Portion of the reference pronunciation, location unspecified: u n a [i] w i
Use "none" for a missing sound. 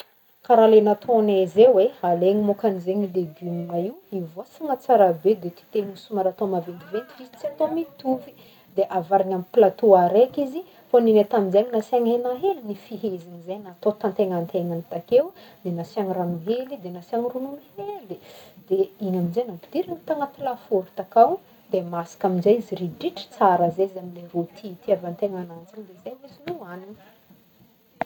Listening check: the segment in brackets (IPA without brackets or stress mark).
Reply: i